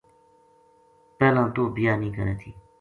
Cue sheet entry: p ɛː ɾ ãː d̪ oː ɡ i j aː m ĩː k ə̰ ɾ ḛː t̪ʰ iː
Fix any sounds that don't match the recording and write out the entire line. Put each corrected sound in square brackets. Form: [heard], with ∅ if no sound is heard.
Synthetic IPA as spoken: p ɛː [l] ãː [t̪] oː [b] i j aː [n] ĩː k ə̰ ɾ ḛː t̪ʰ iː